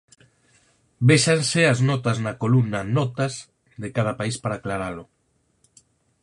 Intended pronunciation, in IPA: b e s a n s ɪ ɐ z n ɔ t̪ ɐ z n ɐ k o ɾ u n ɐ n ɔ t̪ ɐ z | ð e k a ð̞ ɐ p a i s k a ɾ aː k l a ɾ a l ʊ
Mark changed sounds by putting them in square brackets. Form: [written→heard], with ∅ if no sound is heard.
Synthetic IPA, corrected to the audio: b e [s→ʃ] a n s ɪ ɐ z n ɔ t̪ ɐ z n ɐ k o [ɾ→l] u n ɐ n ɔ t̪ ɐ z | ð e k a ð̞ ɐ p a i s [k→p] a ɾ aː k l a ɾ a l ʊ